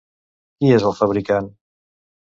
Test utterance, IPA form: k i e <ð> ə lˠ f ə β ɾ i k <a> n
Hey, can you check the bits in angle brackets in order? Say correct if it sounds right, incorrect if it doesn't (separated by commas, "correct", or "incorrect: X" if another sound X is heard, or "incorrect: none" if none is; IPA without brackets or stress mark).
incorrect: z, correct